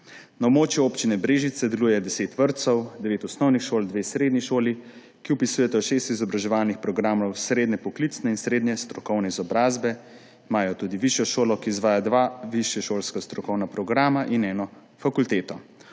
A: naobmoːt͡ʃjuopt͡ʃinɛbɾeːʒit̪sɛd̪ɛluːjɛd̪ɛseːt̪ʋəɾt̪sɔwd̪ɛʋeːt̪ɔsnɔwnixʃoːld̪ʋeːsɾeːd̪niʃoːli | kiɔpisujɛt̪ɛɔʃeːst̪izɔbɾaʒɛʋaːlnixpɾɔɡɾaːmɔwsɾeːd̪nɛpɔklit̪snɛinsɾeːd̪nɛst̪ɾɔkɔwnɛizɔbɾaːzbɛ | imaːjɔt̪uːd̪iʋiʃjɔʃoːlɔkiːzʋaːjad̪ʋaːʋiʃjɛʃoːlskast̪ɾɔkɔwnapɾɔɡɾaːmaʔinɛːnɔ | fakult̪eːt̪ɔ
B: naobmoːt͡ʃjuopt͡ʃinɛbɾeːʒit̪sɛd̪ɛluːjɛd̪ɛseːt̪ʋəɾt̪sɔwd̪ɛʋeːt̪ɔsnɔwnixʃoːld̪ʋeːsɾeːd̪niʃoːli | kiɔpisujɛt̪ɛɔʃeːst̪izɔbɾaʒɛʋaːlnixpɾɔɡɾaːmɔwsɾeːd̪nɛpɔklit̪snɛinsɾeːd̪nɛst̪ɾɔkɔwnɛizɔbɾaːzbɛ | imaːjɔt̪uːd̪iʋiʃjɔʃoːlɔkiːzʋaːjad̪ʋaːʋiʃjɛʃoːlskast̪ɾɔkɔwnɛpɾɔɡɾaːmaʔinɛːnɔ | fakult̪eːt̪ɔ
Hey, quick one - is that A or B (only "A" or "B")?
A